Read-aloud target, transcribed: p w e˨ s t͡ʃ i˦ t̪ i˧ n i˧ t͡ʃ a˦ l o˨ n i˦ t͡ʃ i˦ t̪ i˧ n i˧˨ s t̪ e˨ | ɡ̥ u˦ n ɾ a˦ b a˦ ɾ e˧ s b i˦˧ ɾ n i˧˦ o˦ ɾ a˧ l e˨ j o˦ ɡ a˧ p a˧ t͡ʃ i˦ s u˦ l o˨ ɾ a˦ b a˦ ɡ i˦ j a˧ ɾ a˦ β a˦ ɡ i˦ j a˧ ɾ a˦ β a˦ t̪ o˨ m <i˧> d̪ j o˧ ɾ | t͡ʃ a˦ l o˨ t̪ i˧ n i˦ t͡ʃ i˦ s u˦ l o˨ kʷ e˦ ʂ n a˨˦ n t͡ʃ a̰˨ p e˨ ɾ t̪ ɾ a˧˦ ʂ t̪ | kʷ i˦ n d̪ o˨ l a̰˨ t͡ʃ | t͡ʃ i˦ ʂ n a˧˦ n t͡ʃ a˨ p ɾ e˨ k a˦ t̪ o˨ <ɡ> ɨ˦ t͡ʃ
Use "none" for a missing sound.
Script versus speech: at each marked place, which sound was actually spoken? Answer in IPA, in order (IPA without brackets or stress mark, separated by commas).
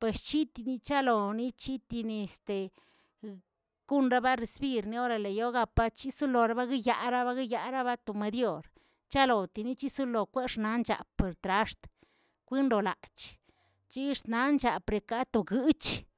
e˧, ɡ